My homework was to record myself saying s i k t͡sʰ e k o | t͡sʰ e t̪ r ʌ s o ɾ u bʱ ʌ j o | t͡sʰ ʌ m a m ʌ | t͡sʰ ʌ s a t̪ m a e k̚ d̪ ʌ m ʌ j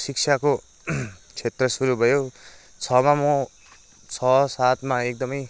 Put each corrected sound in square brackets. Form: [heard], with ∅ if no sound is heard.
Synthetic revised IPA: s i k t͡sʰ [a] k o | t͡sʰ e t̪ r ʌ s [u] ɾ u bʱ ʌ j o | t͡sʰ ʌ m a m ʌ | t͡sʰ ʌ s a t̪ m a e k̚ d̪ ʌ m ʌ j

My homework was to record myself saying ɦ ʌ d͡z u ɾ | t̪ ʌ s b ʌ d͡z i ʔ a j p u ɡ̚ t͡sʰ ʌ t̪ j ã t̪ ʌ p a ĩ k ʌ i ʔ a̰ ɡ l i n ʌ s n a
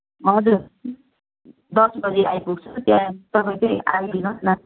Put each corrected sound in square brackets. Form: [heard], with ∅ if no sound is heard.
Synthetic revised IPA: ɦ ʌ d͡z u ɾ | [d̪] ʌ s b ʌ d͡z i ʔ a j p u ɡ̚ t͡sʰ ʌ t̪ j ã t̪ ʌ p a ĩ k ʌ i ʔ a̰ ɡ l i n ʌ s n a

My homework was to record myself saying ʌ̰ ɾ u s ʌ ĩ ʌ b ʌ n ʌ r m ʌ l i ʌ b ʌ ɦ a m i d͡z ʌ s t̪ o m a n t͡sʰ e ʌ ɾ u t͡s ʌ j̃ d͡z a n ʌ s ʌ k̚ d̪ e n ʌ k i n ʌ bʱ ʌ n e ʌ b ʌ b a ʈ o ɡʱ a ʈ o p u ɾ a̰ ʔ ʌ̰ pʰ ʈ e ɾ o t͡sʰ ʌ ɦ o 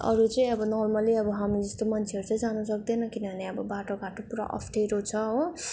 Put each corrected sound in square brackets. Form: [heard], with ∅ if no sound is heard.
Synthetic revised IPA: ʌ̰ ɾ u [t͡s] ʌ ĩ ʌ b ʌ n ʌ r m ʌ l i ʌ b ʌ ɦ a m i d͡z ʌ s t̪ o m [ʌ] n t͡sʰ e ʌ ɾ u t͡s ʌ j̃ d͡z a n ʌ s ʌ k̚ d̪ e n ʌ k i n ʌ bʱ ʌ n e ʌ b ʌ b a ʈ o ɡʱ a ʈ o p u ɾ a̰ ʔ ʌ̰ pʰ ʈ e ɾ o t͡sʰ ʌ ɦ o

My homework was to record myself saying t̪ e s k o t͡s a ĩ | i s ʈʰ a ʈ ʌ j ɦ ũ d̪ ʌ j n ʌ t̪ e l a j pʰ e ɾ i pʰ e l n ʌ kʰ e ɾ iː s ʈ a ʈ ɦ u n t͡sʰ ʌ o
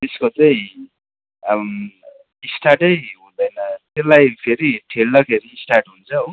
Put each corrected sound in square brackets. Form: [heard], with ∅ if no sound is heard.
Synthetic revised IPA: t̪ e s k o t͡s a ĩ | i s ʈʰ a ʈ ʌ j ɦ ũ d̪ ʌ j n ʌ t̪ e l a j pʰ e ɾ i [ʈʰ] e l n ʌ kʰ e ɾ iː s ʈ a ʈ ɦ u n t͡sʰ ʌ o

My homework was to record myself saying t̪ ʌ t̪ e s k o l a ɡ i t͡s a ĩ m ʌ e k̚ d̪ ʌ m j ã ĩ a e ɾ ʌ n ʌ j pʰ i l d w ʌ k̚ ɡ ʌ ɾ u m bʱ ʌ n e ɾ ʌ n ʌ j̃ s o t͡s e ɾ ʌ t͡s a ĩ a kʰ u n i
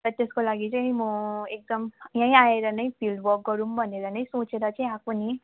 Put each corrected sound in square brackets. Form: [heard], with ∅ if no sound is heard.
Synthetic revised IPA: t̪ ʌ t̪ e s k o l a ɡ i t͡s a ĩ m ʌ e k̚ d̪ ʌ m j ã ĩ a e ɾ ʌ n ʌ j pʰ i l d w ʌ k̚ ɡ ʌ ɾ u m bʱ ʌ n e ɾ ʌ n ʌ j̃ s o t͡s e ɾ ʌ t͡s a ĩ a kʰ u n i

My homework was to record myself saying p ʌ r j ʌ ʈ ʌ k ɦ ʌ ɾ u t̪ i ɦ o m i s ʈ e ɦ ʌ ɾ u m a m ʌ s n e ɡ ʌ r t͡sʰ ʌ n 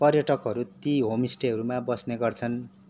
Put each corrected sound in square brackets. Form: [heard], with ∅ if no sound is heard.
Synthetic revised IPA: p ʌ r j ʌ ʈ ʌ k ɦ ʌ ɾ u t̪ i ɦ o m i s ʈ e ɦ ʌ ɾ u m a [b] ʌ s n e ɡ ʌ r t͡sʰ ʌ n

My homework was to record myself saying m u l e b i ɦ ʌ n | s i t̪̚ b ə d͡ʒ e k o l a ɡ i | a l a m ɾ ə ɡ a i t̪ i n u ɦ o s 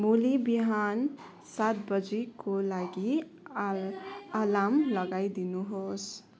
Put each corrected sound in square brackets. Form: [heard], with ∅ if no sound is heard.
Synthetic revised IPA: m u l [i] b i ɦ [a] n | s [a] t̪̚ b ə d͡ʒ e k o l a ɡ i | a l a m [l] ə ɡ a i [d̪] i n u ɦ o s

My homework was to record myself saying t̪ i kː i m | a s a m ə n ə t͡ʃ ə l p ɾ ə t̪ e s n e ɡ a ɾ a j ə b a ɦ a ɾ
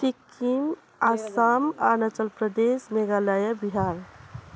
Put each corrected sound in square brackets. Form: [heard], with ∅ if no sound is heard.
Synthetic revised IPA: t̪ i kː i m | a s a m [a] n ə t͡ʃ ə l p ɾ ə [d̪] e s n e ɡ a [l] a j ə b [i] ɦ a ɾ

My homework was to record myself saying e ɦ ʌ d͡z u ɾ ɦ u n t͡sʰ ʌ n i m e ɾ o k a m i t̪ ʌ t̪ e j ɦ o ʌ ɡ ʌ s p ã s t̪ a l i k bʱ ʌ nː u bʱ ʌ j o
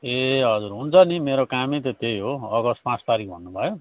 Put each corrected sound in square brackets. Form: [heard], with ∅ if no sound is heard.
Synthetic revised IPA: e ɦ ʌ d͡z u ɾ ɦ u n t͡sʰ ʌ n i m e ɾ o k a m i t̪ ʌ t̪ e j ɦ o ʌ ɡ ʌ s p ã s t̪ a [ɾ] i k bʱ ʌ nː u bʱ ʌ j o

